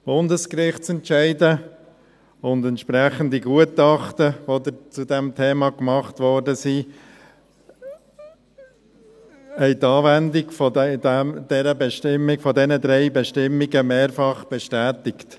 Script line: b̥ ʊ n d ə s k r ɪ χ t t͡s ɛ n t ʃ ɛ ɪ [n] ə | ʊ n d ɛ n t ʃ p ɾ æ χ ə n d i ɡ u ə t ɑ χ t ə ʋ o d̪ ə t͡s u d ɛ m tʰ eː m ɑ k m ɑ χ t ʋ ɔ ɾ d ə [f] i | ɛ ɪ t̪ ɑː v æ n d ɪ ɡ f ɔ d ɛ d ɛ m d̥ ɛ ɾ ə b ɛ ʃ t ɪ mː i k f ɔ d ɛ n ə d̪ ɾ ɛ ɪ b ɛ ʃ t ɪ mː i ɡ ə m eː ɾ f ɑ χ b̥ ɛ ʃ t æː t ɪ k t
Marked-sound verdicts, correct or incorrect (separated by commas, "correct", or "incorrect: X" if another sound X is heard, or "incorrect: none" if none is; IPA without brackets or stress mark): incorrect: d, incorrect: s